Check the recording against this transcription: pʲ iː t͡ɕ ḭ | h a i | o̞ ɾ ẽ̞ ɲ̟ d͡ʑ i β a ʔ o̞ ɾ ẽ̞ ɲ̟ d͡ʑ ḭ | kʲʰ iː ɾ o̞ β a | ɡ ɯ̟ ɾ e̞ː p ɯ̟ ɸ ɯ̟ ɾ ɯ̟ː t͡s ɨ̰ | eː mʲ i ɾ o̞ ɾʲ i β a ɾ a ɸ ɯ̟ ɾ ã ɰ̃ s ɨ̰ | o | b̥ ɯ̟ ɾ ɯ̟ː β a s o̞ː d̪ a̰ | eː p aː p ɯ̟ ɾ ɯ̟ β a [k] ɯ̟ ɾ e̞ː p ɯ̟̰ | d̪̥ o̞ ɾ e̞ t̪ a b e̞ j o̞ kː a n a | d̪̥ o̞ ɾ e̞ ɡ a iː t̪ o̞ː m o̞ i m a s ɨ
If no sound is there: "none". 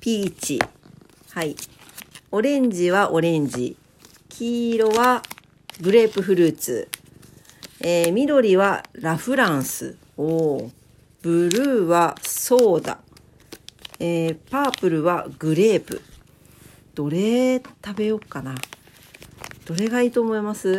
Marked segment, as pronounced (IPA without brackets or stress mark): ɡ